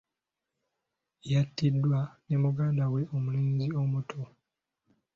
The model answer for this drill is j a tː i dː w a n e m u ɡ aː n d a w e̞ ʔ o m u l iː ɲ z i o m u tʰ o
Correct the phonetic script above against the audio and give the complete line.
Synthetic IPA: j a tː i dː w a n e m u ɡ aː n d a w e̞ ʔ o m u l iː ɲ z i o m u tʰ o